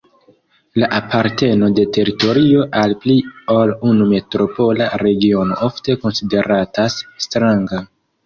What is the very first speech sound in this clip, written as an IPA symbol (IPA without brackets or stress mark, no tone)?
l